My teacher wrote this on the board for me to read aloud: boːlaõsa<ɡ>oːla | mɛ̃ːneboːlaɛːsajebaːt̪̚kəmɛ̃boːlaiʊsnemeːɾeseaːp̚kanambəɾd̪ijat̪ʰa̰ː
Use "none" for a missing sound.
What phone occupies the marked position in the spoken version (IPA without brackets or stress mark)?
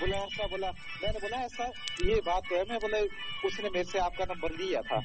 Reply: b